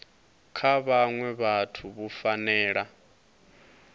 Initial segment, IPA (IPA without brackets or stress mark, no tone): kʰ